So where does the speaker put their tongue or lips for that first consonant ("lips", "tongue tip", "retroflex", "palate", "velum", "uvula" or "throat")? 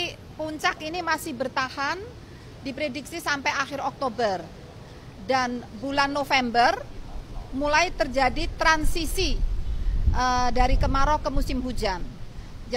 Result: lips